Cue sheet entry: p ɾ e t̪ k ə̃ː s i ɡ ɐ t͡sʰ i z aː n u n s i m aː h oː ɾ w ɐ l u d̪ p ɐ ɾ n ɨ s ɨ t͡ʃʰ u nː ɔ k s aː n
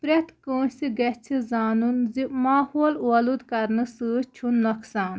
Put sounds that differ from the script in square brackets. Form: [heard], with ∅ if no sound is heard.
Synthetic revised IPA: p ɾ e t̪ k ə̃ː s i ɡ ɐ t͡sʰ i z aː n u n [z] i m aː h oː [l] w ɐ l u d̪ [k] ɐ ɾ n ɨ s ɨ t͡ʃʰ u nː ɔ k s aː n